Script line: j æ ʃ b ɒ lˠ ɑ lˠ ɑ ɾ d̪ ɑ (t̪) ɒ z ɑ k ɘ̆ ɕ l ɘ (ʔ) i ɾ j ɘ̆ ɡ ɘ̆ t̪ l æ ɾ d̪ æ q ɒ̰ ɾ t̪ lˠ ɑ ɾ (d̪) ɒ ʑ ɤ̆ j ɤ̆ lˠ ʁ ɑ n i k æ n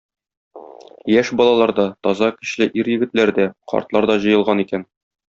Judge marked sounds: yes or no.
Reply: yes, yes, yes

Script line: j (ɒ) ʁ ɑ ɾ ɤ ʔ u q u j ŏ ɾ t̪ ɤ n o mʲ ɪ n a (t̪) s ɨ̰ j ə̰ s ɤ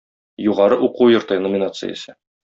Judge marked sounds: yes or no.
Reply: no, yes

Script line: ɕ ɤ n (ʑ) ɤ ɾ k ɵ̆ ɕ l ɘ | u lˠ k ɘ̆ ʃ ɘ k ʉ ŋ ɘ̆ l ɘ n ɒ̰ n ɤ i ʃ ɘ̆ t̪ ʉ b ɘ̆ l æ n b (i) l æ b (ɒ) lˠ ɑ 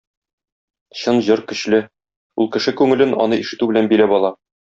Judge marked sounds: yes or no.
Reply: yes, yes, yes

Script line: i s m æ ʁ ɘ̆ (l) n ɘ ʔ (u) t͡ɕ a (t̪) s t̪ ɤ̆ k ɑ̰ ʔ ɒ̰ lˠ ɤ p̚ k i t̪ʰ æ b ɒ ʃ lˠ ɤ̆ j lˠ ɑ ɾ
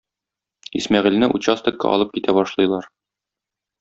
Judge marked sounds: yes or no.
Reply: yes, yes, no

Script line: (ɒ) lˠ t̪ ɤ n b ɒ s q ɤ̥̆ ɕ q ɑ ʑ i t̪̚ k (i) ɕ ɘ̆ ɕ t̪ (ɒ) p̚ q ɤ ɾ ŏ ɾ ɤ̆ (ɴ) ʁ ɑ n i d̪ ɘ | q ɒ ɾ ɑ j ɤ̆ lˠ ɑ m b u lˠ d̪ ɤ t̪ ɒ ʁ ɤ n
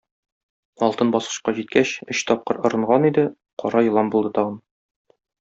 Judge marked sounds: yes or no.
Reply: yes, no, yes, yes

